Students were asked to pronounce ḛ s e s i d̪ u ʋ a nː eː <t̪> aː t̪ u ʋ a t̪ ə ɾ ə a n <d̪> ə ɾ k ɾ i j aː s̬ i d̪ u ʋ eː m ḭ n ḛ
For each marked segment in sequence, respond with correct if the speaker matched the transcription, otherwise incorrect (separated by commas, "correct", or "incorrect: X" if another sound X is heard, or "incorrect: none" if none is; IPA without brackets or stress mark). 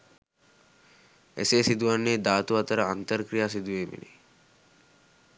incorrect: d̪, incorrect: t̪